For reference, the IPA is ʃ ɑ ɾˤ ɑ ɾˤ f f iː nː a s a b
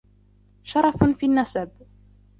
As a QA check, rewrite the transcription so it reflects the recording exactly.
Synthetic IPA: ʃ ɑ ɾˤ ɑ f f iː nː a s a b